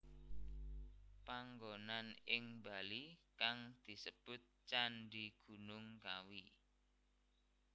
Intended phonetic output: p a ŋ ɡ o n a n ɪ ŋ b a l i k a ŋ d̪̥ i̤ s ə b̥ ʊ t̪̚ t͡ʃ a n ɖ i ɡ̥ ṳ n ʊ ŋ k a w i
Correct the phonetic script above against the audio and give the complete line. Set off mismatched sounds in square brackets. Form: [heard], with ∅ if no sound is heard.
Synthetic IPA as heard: p a ŋ ɡ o n a n ɪ ŋ b a l i k a ŋ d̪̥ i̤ s ə b̥ ʊ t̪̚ t͡ʃ a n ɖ i ɡ̥ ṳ n ʊ ŋ k a w i